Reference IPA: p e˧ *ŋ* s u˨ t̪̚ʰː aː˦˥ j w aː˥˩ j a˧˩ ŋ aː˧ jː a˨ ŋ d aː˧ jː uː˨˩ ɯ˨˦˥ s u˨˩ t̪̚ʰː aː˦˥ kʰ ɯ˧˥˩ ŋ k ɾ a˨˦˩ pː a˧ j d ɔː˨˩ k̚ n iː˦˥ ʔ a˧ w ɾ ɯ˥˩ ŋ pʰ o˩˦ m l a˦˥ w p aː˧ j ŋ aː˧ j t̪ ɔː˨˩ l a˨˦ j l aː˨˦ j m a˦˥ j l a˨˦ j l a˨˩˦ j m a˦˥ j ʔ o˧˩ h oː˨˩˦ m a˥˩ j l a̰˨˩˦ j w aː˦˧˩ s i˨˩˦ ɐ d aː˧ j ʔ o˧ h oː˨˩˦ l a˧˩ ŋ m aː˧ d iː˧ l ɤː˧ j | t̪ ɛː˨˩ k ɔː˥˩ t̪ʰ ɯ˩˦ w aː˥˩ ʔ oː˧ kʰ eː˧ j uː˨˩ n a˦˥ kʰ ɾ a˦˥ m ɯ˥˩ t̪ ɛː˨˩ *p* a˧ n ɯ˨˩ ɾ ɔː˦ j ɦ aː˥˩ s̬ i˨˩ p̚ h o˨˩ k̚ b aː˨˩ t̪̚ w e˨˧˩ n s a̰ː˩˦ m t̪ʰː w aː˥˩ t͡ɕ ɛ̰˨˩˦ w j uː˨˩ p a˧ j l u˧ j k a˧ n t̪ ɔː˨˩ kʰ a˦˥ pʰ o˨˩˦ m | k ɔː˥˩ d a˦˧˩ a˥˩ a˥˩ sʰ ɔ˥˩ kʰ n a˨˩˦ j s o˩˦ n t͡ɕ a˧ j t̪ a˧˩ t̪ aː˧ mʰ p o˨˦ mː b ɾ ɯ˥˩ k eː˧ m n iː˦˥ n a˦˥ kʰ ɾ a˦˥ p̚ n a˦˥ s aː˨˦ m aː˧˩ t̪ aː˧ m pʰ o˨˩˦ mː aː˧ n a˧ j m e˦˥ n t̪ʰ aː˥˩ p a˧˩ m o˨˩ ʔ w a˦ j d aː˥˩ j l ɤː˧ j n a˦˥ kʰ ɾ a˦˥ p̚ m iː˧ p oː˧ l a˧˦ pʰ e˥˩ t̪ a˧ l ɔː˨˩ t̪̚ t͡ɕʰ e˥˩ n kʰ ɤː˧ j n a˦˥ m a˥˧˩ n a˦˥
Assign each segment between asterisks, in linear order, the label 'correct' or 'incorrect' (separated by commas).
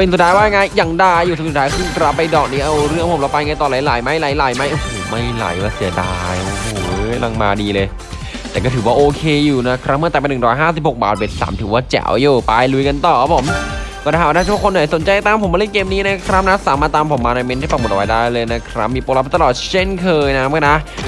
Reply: incorrect, correct